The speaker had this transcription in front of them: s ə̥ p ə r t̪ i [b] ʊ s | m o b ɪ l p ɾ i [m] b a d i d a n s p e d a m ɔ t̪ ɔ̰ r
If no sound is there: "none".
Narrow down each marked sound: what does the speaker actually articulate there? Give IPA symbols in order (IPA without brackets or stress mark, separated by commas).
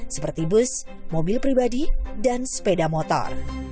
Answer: b, none